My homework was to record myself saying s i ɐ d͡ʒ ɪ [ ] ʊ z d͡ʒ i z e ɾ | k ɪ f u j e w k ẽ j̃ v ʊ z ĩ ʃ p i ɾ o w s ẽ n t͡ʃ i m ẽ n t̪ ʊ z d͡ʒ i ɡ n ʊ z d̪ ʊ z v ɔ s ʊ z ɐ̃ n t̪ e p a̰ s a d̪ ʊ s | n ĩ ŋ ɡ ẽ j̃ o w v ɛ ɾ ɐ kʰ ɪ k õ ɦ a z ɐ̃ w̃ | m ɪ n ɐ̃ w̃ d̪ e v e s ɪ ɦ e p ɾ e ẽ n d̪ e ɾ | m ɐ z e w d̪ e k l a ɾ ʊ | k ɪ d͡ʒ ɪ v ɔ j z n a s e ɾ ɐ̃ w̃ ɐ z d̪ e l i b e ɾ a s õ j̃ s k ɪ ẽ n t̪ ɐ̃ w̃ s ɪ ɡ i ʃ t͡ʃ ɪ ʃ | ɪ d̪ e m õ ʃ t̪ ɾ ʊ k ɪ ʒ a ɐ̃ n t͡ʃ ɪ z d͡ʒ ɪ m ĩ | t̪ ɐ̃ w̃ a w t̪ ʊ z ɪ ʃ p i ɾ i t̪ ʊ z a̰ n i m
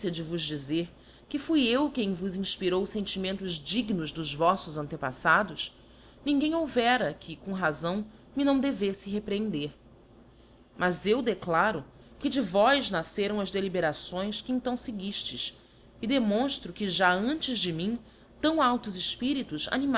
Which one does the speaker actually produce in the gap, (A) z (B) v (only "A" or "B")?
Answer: B